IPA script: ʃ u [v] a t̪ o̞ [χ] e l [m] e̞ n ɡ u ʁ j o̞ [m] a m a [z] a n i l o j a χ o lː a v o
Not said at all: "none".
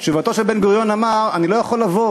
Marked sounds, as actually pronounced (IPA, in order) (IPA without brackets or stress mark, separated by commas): v, ʃ, b, n, ʁ